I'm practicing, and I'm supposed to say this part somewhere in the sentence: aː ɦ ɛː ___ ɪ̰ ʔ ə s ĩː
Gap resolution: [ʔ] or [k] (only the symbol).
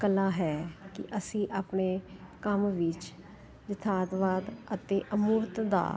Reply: k